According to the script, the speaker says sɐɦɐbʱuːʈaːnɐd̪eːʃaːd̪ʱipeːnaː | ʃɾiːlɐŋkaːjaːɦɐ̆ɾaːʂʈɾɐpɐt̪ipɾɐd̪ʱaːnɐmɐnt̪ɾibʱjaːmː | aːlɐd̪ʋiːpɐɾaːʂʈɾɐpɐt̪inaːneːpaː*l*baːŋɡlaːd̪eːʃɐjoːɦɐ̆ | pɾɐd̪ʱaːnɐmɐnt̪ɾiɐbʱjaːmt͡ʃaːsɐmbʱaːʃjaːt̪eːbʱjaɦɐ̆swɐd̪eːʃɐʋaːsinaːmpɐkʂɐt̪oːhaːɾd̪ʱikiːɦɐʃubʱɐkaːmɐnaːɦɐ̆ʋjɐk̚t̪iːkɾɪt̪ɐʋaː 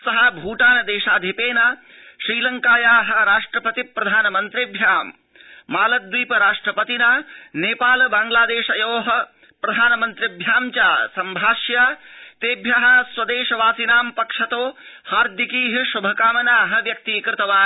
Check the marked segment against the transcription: correct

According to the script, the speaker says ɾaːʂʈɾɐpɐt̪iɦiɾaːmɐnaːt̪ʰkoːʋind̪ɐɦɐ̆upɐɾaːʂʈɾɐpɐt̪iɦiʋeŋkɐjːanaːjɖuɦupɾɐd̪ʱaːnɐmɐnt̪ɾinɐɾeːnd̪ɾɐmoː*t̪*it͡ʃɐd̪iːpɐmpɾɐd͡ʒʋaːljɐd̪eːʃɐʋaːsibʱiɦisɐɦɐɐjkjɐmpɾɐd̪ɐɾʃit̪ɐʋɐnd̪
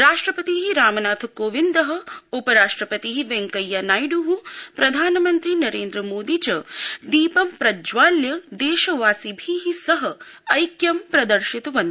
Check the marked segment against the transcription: incorrect: d̪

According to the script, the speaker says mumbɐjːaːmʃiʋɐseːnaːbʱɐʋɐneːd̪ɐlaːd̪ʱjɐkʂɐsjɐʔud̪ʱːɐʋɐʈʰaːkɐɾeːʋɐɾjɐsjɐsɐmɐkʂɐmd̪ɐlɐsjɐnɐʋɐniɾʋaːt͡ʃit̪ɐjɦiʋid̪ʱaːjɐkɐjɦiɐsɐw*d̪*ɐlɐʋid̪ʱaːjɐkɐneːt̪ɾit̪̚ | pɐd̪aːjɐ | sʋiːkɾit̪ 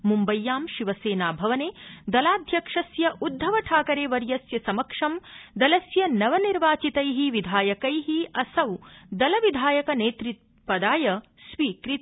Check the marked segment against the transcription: correct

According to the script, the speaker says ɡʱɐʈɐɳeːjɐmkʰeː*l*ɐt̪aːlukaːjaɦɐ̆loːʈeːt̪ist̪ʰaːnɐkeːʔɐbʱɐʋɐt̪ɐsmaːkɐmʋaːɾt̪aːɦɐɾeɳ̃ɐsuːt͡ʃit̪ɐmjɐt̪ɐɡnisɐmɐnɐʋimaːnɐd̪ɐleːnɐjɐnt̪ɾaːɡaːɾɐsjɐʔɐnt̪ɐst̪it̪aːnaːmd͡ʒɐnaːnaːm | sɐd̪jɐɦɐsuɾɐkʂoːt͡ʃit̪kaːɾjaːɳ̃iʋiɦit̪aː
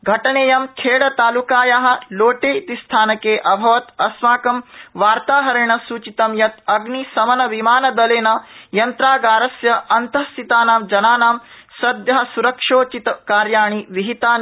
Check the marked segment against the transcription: incorrect: ɽ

